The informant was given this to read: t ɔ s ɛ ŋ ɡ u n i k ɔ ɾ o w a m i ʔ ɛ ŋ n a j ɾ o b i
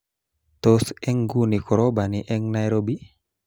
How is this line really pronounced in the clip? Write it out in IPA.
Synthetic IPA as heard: t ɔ s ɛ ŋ ɡ u n i k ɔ ɾ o b a n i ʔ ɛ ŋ n a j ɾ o b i